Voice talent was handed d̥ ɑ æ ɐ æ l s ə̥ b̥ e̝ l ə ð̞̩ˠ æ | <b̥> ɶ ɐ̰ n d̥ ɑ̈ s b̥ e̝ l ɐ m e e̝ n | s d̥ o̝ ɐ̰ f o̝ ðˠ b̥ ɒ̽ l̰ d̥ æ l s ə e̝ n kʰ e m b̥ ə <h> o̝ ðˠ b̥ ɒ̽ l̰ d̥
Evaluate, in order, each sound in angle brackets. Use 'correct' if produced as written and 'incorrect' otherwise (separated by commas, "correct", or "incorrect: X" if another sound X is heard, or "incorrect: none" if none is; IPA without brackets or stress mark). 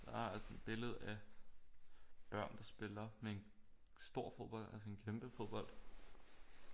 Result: correct, incorrect: f